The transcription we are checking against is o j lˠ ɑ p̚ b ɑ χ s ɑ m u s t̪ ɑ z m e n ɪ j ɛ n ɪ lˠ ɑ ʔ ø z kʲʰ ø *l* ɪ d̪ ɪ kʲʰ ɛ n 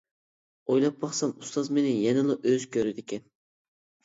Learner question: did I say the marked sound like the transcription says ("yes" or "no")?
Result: no